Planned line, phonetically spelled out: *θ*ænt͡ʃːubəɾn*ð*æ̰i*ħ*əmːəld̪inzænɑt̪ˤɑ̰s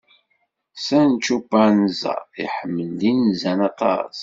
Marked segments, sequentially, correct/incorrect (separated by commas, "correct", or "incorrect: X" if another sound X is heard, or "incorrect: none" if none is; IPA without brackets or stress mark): incorrect: s, incorrect: z, correct